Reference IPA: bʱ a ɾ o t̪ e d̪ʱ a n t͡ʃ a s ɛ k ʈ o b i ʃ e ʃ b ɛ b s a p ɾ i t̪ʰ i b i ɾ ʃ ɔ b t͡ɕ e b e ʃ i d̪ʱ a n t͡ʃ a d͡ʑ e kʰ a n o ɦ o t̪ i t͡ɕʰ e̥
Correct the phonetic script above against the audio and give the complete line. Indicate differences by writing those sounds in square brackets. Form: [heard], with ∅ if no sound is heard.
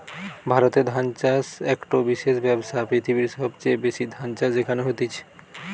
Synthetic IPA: bʱ a ɾ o t̪ e d̪ʱ a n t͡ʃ a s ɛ k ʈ o b i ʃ e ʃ b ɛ b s a p ɾ i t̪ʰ i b i ɾ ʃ ɔ b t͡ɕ e b e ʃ i d̪ʱ a n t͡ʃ a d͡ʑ e kʰ a n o ɦ o t̪ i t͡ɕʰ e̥